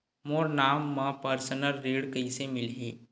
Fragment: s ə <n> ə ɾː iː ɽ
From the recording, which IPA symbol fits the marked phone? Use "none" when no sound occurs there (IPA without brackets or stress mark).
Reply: n